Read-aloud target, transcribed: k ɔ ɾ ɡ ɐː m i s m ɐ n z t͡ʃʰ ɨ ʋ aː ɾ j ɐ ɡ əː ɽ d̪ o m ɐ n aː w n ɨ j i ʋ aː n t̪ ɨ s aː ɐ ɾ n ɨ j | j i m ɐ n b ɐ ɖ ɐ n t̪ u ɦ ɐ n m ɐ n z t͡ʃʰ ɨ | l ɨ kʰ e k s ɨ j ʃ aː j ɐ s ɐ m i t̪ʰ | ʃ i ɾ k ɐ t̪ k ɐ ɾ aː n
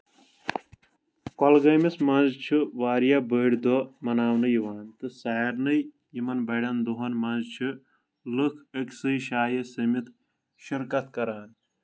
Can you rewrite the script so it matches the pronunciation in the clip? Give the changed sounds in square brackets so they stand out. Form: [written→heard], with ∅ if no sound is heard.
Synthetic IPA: k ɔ [ɾ→l] ɡ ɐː m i s m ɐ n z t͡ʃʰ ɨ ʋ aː ɾ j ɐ [ɡ→b] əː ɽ d̪ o m ɐ n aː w n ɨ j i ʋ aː n t̪ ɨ s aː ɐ ɾ n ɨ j | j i m ɐ n b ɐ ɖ ɐ n [t̪→d̪] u ɦ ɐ n m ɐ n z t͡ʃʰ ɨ | l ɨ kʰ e k s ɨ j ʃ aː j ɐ s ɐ m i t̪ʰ | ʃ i ɾ k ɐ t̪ k ɐ ɾ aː n